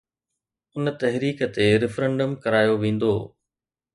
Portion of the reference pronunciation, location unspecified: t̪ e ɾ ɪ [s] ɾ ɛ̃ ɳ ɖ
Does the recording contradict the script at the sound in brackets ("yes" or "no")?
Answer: yes